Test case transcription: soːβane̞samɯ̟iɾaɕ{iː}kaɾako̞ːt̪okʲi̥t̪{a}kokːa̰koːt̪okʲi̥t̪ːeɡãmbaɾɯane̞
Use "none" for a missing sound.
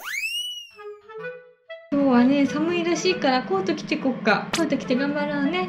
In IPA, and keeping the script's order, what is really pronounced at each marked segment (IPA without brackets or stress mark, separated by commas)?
iː, e